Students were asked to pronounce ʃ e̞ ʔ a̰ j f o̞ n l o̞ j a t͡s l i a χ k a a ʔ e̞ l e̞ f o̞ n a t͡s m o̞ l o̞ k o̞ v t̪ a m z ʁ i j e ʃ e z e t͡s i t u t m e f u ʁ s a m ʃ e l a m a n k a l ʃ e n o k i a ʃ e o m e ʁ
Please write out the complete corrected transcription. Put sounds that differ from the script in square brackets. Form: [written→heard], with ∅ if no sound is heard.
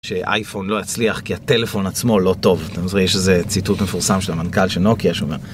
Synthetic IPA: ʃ e̞ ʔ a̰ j f o̞ n l o̞ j a t͡s l i a χ k [a→i] a [ʔ→t] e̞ l e̞ f o̞ n a t͡s m o̞ l o̞ [k→t] o̞ v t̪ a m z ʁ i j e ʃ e z e t͡s i t u t m e f u ʁ s a m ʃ e l a m a n k a l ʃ e n o k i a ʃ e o m e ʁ